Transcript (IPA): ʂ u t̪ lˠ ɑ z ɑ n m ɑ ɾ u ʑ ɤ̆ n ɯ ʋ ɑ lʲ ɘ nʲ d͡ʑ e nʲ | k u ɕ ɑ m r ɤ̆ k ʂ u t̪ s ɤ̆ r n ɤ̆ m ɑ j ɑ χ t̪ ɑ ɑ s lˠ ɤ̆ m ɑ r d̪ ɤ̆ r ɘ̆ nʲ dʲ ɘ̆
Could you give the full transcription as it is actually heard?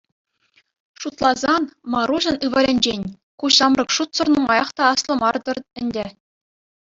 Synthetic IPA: ʂ u t̪ lˠ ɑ z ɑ n m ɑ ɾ u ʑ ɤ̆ n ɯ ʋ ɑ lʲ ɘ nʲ d͡ʑ e nʲ | k u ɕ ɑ m r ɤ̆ k ʂ u t̪ s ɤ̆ r n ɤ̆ m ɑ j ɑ χ t̪ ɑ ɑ s lˠ ɤ̆ m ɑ r d̪ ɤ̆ r ɘ̆ nʲ dʲ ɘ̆